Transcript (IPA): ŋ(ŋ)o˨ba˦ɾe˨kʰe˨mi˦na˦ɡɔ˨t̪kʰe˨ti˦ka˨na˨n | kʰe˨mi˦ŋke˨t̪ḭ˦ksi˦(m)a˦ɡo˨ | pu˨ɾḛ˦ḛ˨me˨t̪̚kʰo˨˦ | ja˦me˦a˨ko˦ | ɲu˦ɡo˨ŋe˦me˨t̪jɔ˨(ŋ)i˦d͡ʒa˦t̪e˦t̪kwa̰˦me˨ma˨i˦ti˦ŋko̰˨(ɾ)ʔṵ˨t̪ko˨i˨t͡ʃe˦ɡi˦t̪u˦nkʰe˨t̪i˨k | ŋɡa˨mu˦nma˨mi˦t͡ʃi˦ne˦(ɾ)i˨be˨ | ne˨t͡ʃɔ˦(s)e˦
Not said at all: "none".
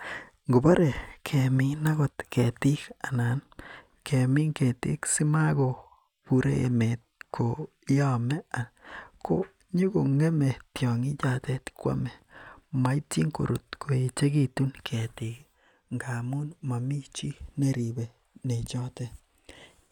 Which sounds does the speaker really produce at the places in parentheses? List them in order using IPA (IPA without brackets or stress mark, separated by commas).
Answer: ɡ, m, ŋ, ɾ, ɾ, t